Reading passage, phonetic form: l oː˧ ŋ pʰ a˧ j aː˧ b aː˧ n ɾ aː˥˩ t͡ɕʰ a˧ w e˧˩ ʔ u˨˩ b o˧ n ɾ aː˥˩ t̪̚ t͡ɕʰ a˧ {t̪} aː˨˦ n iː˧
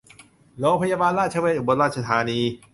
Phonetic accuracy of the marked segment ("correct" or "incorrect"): incorrect